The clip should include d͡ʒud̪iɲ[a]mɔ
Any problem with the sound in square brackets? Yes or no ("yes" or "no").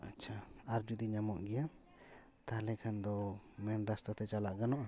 no